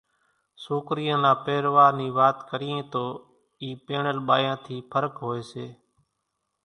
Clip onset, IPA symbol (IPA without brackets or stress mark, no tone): s